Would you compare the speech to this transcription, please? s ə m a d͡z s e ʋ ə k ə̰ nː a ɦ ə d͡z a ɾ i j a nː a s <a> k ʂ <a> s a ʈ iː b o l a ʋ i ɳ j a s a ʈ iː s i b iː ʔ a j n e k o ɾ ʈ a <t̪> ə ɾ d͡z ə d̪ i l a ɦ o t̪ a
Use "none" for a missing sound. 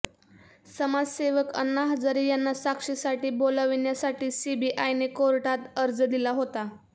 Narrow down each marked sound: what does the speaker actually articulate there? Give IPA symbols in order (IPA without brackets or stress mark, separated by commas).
a, i, t̪